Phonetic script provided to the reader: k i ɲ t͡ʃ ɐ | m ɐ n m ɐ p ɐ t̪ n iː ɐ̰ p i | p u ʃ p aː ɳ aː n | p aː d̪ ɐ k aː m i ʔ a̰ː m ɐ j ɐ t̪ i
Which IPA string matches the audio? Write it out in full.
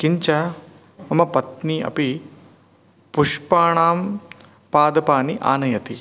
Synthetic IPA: k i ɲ t͡ʃ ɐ | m ɐ m ɐ p ɐ t̪ n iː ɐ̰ p i | p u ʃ p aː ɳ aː m | p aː d̪ ɐ p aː n i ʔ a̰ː n ɐ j ɐ t̪ i